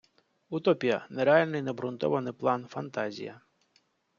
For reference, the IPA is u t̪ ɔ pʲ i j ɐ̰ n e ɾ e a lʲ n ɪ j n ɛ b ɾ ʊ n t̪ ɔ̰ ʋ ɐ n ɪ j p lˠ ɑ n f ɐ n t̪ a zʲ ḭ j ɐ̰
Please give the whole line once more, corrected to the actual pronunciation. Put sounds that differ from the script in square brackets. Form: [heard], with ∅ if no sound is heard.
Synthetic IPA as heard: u t̪ ɔ pʲ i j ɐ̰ n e ɾ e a lʲ n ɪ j n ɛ b ɾ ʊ n t̪ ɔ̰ ʋ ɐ n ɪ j p lˠ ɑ n f ɐ n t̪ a zʲ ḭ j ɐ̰